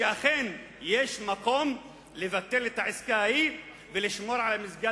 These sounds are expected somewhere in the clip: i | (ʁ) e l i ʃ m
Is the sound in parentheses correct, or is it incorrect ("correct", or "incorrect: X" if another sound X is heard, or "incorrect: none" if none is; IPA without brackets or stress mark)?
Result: incorrect: v